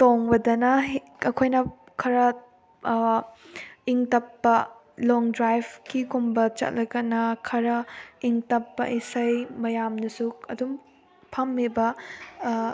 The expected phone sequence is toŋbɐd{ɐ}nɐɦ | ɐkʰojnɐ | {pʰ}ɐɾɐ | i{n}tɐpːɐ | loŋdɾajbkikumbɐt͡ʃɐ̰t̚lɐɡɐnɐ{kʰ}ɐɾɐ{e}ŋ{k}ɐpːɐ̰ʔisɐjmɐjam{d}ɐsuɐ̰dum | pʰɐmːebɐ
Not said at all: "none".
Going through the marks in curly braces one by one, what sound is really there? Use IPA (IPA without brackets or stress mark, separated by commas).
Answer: ɐ, kʰ, ŋ, kʰ, i, t, n